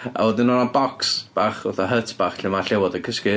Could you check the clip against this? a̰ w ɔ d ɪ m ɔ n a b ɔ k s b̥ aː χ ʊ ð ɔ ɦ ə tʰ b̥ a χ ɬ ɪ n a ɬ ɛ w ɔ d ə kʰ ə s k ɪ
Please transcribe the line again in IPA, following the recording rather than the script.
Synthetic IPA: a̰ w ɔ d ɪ n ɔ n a b ɔ k s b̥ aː χ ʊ θ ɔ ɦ ə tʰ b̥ a χ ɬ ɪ m a ɬ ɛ w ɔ d ə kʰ ə s k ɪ